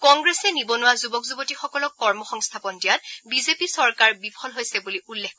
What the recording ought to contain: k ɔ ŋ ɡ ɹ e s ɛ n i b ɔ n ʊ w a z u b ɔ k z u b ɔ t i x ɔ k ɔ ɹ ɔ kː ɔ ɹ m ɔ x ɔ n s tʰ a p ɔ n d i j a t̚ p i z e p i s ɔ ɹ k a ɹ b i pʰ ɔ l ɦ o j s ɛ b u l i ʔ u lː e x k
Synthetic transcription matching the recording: k ɔ ŋ ɡ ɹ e s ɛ n i b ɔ n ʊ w a z u b ɔ k z u b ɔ t i x ɔ k ɔ l ɔ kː ɔ ɹ m ɔ x ɔ ŋ s tʰ a p ɔ n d i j a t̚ b i z e p i s ɔ ɹ k a ɹ b i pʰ ɔ l ɦ o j s ɛ b u l i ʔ u lː e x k